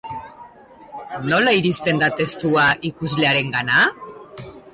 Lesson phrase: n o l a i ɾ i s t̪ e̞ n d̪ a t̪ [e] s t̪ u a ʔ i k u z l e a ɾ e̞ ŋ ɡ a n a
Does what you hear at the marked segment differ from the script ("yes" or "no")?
no